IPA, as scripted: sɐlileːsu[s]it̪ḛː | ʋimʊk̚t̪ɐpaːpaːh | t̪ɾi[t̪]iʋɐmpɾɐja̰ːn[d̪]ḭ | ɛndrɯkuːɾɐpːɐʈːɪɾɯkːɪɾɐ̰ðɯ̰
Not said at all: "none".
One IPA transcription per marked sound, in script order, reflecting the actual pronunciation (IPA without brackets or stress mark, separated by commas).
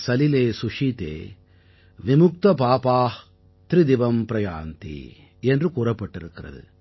ʂ, d̪, t̪